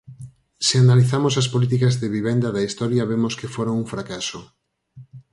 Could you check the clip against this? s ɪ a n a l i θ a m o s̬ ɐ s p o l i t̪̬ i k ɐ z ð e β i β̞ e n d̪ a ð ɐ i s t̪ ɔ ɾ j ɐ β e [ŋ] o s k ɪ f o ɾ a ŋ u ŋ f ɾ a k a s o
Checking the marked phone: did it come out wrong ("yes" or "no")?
yes